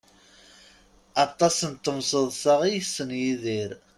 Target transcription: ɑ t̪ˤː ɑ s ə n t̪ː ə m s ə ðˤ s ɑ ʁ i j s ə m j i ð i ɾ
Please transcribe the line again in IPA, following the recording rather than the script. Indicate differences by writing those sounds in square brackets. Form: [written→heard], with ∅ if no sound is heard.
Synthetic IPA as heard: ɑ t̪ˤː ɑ s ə n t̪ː ə m s ə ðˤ s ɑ ʁ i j s ə [m→n] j i ð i ɾ